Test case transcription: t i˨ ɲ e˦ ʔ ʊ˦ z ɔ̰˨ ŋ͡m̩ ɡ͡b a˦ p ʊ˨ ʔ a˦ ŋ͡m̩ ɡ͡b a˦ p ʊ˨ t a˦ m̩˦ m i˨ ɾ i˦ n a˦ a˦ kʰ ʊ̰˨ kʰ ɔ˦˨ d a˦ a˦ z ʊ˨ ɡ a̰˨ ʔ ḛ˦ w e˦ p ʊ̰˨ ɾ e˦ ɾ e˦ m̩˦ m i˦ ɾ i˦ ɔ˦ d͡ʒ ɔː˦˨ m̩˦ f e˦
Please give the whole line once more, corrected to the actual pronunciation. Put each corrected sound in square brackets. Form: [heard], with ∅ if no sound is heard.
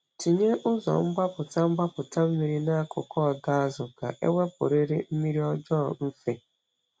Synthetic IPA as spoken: t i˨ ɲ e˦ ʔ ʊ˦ z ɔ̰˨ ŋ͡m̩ ɡ͡b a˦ p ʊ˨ [t] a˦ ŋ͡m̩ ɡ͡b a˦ p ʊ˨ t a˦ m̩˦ m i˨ ɾ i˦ n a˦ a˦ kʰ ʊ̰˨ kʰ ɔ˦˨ d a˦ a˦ z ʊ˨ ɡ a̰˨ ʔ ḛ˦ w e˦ p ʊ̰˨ ɾ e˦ ɾ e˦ m̩˦ m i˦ ɾ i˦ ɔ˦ d͡ʒ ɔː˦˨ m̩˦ f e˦